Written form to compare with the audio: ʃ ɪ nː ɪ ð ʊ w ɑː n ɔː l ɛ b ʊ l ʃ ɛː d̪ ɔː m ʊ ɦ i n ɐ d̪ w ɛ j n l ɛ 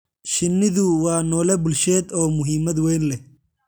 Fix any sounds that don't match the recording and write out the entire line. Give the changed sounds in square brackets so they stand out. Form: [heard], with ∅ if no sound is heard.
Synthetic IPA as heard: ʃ ɪ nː ɪ ð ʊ w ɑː n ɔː l ɛ b ʊ l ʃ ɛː d̪ ɔː m ʊ ɦ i [m] ɐ d̪ w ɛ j n l ɛ